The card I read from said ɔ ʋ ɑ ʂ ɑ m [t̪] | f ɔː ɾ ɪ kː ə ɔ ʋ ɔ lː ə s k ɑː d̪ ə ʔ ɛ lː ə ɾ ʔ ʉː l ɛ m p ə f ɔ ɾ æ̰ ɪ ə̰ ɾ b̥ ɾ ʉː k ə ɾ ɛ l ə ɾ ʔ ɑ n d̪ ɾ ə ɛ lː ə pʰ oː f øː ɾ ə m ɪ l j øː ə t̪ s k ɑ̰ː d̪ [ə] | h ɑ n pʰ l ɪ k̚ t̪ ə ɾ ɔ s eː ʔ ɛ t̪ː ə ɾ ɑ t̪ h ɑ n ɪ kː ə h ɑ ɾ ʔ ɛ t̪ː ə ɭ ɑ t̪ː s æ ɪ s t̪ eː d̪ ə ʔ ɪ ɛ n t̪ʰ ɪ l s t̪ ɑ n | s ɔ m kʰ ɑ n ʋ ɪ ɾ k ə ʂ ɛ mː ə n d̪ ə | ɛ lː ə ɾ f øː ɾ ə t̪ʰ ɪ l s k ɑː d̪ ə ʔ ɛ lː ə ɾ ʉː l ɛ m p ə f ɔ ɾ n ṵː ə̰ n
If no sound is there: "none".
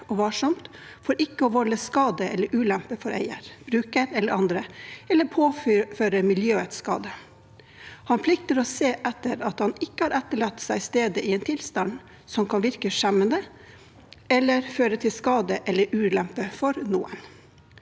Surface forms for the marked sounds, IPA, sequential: t̪, ə

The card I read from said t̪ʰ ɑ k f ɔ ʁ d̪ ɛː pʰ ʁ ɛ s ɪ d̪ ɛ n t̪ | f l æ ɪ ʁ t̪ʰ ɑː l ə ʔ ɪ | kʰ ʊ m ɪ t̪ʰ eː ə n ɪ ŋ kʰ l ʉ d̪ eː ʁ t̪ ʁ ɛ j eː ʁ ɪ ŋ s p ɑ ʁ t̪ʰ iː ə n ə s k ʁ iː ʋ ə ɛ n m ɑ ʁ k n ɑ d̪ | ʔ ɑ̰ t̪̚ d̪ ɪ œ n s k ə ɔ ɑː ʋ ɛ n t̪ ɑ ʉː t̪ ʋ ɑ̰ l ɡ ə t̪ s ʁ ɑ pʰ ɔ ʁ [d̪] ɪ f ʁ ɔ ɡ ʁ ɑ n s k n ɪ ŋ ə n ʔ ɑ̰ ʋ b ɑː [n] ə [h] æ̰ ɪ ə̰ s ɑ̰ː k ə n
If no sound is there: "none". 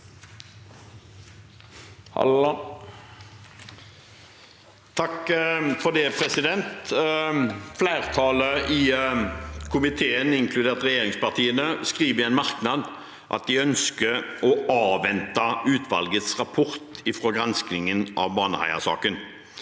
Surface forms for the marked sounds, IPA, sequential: t̪, n, h

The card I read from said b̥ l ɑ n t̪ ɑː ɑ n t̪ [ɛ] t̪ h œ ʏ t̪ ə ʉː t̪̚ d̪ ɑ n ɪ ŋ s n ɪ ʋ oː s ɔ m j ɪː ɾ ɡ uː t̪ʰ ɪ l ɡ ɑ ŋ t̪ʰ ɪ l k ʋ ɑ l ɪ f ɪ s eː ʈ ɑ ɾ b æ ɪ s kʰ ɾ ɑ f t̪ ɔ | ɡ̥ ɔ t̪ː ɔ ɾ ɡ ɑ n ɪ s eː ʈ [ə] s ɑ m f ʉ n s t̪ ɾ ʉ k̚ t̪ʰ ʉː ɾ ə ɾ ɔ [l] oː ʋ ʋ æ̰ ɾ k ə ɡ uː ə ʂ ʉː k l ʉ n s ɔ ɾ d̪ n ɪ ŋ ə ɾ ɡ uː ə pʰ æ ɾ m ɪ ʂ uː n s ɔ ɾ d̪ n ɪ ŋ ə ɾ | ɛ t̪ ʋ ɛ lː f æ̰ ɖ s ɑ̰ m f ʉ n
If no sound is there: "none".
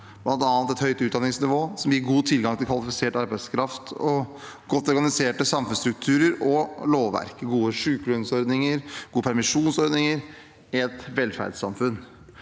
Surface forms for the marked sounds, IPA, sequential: ɛ, ə, l

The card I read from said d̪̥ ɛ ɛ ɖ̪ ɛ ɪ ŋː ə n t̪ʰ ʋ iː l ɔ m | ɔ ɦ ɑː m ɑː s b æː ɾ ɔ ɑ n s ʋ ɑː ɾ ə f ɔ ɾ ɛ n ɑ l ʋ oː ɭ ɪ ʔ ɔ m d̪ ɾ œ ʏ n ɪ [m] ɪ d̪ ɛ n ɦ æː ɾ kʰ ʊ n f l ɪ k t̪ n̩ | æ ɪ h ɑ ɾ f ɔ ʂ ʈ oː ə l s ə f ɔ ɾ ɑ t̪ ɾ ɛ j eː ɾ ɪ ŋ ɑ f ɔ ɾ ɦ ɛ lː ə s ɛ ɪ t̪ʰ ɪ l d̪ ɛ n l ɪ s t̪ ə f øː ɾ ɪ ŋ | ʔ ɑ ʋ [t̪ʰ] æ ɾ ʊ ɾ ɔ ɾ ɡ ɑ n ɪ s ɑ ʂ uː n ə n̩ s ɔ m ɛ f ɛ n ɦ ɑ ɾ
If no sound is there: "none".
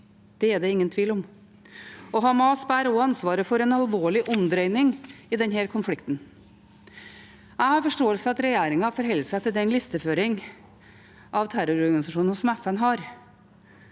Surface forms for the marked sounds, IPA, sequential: ŋ, t̪ʰ

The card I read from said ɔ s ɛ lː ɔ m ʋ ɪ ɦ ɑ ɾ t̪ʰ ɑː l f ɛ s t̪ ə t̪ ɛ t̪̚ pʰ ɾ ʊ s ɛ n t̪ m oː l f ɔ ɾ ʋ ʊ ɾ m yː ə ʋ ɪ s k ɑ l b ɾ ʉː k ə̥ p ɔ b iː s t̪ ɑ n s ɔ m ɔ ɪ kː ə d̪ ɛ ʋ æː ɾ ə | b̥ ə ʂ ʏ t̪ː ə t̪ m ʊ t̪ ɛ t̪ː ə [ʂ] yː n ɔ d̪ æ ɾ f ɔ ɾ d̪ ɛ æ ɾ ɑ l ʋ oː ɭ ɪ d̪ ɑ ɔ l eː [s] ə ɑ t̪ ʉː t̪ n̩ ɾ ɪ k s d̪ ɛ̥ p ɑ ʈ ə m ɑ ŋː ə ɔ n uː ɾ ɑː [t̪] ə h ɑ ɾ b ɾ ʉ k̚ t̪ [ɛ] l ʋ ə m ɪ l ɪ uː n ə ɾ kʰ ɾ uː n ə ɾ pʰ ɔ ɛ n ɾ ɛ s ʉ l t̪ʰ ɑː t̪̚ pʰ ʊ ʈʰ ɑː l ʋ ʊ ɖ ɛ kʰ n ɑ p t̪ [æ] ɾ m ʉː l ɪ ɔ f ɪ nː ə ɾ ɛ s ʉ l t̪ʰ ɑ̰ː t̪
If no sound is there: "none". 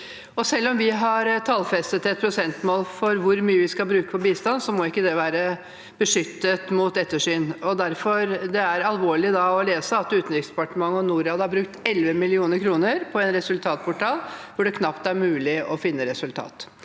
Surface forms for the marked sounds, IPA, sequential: ʂ, s, d̪, ɛ, æ

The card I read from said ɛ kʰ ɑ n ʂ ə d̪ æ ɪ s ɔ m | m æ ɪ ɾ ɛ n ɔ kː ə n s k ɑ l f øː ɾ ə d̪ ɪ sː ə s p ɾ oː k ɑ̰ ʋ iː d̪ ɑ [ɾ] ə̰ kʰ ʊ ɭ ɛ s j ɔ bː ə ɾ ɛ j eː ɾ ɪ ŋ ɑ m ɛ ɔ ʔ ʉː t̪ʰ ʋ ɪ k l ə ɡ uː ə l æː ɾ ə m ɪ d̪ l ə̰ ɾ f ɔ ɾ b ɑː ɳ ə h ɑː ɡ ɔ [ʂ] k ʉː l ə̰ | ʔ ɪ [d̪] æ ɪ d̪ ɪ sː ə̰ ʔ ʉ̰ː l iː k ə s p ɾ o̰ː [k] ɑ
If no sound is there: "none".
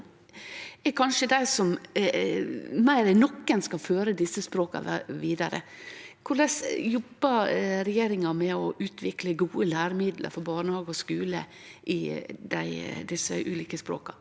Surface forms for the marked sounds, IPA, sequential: ɾ, s, d̪, k

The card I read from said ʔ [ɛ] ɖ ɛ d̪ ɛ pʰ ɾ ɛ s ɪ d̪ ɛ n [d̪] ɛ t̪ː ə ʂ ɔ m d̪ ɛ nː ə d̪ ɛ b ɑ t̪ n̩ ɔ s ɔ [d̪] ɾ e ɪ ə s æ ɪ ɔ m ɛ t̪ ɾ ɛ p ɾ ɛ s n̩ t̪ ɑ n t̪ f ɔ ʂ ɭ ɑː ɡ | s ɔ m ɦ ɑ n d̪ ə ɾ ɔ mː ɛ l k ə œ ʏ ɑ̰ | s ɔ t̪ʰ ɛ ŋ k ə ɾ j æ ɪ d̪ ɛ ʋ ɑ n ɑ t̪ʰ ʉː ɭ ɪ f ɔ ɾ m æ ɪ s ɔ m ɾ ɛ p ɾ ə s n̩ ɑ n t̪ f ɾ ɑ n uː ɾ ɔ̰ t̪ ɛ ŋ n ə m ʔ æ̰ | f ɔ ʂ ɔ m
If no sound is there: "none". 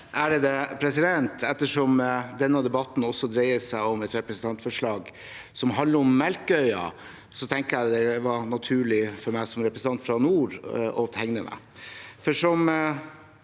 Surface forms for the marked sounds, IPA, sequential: æ, t̪, d̪

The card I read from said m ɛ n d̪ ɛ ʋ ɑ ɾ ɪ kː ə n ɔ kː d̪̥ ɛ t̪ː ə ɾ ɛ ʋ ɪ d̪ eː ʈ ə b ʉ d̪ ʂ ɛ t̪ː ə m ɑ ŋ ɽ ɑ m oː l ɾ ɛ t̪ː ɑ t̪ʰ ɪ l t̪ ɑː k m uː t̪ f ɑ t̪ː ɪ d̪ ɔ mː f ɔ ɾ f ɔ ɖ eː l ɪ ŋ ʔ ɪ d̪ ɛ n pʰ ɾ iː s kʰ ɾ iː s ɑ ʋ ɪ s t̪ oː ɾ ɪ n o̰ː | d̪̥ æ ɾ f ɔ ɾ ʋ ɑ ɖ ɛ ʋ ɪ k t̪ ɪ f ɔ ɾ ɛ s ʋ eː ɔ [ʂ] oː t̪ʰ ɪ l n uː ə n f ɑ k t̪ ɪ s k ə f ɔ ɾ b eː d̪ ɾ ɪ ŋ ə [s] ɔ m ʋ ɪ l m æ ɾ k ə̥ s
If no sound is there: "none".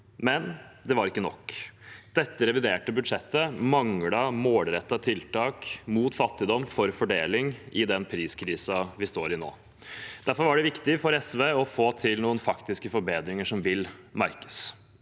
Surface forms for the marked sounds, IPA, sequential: f, ʂ

